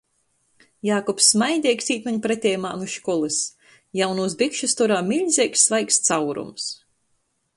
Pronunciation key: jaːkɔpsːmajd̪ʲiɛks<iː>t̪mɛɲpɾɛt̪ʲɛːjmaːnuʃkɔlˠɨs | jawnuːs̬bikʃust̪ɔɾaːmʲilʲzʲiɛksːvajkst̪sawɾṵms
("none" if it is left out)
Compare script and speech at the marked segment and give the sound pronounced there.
iː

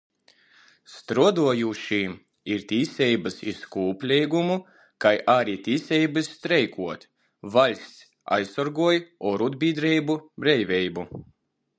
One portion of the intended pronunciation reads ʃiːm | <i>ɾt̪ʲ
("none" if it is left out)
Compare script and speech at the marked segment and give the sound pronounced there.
i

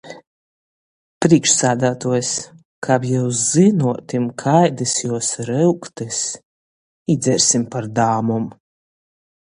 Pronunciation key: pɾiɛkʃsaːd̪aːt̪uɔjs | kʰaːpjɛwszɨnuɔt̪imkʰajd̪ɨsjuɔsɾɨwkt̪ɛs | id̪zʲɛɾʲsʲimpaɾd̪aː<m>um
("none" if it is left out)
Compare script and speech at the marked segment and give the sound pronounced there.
m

